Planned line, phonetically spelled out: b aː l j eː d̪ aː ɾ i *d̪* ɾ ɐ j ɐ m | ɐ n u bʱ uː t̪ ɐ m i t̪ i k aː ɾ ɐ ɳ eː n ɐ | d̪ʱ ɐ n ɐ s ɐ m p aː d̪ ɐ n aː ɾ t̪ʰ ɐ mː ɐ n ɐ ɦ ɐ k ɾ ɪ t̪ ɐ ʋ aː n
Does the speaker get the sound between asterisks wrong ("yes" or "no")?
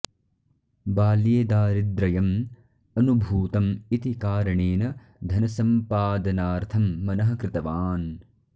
no